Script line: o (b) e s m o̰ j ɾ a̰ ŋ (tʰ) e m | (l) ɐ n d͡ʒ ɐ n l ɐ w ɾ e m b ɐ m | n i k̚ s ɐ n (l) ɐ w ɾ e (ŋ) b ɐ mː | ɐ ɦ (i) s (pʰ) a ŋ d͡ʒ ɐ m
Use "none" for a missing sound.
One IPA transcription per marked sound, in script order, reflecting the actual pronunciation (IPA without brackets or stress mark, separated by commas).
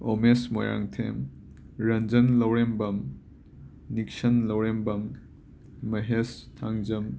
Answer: m, tʰ, ɾ, l, m, e, tʰ